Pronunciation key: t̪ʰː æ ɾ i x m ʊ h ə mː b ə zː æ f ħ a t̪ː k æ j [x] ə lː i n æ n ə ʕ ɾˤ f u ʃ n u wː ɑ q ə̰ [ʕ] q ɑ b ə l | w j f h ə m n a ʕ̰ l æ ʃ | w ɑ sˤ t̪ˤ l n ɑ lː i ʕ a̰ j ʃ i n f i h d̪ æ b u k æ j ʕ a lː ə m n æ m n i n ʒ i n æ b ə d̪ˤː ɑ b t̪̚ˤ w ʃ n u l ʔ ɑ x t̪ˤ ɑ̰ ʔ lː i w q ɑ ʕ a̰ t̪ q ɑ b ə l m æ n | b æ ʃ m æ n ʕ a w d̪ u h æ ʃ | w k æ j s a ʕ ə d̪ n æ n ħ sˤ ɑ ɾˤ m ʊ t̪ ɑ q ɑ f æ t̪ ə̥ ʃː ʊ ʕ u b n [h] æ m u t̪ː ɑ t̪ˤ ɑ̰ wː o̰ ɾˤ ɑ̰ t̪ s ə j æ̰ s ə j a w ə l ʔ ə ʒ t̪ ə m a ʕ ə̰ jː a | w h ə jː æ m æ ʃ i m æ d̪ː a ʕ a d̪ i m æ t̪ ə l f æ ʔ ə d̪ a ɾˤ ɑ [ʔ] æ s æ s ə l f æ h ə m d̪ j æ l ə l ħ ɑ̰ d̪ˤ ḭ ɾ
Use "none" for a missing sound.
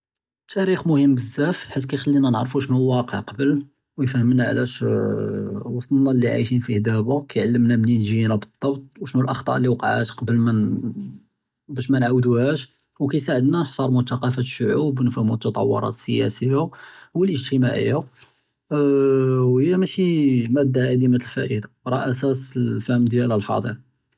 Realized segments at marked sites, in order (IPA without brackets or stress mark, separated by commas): x, ʕ, f, ʔ